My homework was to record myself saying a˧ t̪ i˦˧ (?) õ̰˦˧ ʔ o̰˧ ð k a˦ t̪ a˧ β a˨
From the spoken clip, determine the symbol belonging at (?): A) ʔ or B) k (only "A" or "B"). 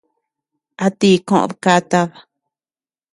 B